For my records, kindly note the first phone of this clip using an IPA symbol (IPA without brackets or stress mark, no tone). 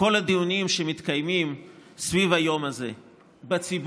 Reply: o̞